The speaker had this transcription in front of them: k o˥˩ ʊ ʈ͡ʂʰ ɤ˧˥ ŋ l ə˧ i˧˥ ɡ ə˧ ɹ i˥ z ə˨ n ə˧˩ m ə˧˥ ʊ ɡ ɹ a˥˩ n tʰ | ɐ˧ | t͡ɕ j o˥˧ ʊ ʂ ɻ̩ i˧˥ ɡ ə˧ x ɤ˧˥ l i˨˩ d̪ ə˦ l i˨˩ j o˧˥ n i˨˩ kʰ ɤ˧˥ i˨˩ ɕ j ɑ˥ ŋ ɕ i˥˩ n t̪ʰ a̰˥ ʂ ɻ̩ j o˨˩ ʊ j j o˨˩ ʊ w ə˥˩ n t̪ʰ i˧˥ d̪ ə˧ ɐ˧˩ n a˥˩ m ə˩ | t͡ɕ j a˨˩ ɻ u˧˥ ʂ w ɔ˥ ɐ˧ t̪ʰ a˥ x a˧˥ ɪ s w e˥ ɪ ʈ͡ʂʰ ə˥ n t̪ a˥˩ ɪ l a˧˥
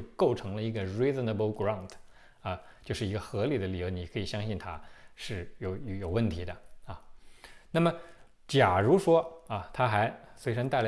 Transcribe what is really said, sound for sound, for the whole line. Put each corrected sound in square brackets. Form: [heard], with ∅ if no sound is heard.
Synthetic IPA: k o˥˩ ʊ ʈ͡ʂʰ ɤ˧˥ ŋ l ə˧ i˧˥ ɡ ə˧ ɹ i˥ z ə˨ n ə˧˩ [b] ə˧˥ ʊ ɡ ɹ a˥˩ n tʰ | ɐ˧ | t͡ɕ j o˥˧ ʊ ʂ ɻ̩ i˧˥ ɡ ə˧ x ɤ˧˥ l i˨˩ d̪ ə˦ l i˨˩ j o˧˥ n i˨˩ kʰ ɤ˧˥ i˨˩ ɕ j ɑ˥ ŋ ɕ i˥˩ n t̪ʰ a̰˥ ʂ ɻ̩ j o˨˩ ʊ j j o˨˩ ʊ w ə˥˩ n t̪ʰ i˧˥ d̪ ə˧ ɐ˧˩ n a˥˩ m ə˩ | t͡ɕ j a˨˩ ɻ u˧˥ ʂ w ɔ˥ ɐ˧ t̪ʰ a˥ x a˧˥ ɪ s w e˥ ɪ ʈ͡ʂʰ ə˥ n t̪ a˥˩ ɪ l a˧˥